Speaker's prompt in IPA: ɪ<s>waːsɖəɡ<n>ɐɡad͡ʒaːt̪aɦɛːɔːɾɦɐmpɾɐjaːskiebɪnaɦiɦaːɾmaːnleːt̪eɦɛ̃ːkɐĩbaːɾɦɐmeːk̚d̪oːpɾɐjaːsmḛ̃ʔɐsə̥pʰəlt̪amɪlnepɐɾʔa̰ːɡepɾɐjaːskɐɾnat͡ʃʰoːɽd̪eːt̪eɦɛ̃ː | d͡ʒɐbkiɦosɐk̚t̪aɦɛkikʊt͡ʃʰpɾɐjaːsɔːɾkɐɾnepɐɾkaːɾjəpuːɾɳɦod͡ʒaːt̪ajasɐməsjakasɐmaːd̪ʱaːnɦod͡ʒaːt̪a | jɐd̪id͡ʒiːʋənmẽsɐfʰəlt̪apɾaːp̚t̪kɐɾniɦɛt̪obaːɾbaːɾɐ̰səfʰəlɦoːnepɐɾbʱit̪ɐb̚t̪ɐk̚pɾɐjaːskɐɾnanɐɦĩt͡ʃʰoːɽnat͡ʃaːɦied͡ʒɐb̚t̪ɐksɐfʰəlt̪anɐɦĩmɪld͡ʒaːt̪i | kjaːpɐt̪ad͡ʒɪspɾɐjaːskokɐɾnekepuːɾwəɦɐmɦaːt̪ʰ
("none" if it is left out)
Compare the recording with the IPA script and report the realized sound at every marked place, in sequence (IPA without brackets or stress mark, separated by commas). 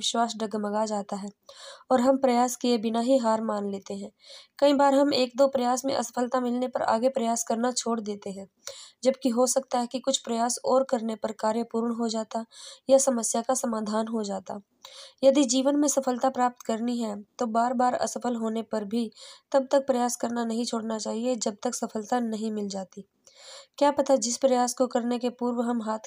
ʃ, m